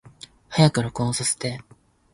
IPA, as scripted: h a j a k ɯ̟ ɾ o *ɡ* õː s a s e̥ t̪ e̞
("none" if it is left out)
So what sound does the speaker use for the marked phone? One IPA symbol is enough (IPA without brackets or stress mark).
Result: k